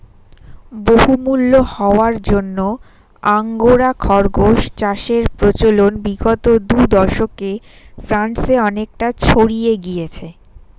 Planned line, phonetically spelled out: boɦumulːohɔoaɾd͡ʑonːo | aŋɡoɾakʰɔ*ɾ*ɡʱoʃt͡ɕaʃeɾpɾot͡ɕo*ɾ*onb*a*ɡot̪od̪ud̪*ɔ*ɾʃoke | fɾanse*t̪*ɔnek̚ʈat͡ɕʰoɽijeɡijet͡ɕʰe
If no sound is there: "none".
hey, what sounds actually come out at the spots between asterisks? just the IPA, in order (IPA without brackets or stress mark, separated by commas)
ɾ, l, i, ɔ, none